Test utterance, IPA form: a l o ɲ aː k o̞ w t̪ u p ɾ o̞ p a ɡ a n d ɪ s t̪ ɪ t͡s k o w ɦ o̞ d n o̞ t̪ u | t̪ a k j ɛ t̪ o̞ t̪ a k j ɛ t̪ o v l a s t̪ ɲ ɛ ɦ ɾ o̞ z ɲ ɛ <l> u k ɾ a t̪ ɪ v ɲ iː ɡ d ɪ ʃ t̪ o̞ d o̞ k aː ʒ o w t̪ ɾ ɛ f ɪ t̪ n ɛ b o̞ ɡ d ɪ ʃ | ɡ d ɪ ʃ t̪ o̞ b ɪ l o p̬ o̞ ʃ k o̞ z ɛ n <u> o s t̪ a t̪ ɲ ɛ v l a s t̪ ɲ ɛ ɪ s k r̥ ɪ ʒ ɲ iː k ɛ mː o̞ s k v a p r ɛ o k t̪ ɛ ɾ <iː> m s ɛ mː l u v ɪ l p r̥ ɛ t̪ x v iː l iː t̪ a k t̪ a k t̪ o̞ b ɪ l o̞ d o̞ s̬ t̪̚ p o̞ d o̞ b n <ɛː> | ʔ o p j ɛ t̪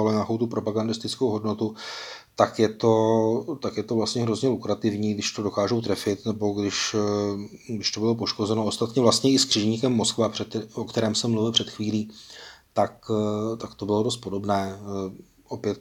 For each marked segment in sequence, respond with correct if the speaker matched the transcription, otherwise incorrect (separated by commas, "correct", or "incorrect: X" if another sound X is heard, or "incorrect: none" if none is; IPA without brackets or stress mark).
correct, incorrect: o, incorrect: ɛː, correct